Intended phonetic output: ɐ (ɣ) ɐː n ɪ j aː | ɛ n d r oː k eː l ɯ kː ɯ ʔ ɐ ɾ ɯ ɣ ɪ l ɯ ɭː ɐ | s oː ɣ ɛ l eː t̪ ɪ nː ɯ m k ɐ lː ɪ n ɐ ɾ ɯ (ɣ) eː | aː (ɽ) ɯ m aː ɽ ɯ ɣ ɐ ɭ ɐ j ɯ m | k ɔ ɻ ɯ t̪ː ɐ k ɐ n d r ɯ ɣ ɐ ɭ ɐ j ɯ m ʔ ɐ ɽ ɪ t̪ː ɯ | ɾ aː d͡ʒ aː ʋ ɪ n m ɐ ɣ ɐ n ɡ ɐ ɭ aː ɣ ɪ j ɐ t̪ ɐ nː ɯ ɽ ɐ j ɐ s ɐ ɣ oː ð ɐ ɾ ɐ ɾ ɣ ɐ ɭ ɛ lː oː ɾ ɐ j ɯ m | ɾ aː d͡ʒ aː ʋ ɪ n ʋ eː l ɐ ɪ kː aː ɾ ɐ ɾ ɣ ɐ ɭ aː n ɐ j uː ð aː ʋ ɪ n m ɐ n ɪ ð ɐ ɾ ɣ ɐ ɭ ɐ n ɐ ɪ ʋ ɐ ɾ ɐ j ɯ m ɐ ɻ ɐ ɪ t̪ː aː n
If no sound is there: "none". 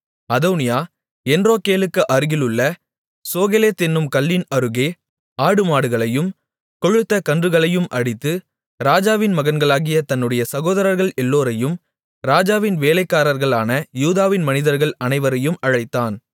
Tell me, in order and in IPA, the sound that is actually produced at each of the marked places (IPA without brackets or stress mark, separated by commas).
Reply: ð, ɣ, ɽ